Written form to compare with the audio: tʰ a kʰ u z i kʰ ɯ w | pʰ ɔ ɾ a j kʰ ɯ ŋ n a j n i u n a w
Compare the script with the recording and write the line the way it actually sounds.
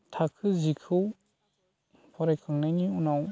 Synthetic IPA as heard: tʰ a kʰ ɯ z i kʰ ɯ w | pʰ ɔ ɾ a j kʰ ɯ ŋ n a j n i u n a w